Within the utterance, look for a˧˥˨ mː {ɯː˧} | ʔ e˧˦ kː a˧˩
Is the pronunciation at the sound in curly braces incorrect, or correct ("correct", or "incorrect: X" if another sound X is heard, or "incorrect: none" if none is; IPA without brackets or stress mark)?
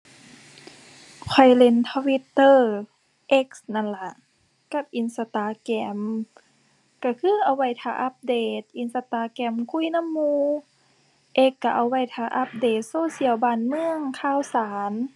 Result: incorrect: uː˧